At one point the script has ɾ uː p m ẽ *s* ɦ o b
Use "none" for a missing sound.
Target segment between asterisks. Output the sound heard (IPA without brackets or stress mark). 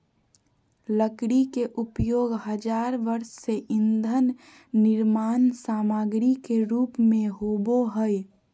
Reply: none